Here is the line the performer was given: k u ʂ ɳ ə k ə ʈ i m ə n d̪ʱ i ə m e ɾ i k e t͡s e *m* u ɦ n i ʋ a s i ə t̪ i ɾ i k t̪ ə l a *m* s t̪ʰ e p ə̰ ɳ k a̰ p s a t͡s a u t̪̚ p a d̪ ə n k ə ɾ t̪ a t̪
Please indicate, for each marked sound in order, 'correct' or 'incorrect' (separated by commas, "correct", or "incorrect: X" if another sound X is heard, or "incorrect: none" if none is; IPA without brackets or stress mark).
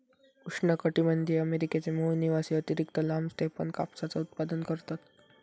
correct, correct